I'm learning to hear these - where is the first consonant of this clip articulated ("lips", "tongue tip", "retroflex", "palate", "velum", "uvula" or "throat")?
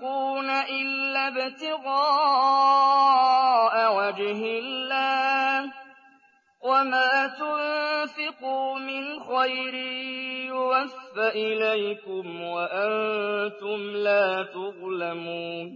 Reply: tongue tip